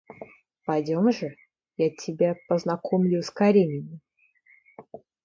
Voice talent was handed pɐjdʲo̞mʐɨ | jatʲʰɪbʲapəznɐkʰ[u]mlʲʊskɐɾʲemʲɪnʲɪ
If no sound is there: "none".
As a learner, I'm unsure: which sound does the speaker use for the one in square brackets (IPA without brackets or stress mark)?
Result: o